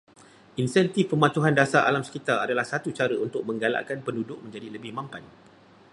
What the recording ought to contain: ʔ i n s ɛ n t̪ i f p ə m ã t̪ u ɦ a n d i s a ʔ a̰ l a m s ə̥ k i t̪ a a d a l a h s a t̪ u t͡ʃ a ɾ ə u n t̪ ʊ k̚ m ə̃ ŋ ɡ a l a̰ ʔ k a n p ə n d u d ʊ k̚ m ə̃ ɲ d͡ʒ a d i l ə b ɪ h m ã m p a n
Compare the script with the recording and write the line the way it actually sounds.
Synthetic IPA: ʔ i n s ɛ n t̪ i f p ə m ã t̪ u ɦ a n d a s a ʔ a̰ l a m s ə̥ k i t̪ a a d a l a h s a t̪ u t͡ʃ a ɾ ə u n t̪ ʊ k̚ m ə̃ ŋ ɡ a l a̰ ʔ k a n p ə n d u d ʊ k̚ m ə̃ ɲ d͡ʒ a d i l ə b ɪ h m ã m p a n

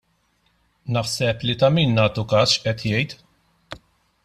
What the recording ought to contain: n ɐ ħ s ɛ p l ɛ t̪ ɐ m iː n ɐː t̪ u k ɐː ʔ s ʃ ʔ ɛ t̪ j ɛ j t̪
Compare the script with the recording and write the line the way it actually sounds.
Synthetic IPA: n ɐ ħ s ɛ p l i t̪ ɐ m iː nː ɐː t̪ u k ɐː s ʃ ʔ ɛ t̪ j ɛ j t̪

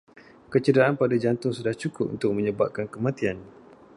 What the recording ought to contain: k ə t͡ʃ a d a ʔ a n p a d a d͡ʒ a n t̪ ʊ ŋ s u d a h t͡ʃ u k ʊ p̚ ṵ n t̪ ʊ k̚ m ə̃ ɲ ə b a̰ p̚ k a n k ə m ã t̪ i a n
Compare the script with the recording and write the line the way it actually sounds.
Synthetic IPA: k ə t͡ʃ ə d a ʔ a n p a d a d͡ʒ a n t̪ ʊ ŋ s u d a h t͡ʃ u k ʊ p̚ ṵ n t̪ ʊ k̚ m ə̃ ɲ ə b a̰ p̚ k a n k ə m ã t̪ i a n

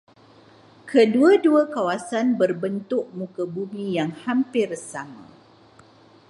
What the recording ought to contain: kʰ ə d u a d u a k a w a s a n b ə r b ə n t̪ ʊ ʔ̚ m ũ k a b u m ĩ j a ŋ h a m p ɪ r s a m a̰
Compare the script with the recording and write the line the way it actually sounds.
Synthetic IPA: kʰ ə d u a d u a k a w a s a n b ə r b ə n t̪ ʊ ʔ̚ m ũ k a b u m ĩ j a ŋ h a m p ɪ r s a m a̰

